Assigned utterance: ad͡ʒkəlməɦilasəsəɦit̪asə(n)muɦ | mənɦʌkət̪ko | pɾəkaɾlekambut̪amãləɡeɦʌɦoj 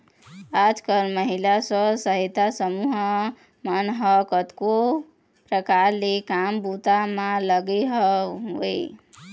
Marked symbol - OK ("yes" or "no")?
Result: no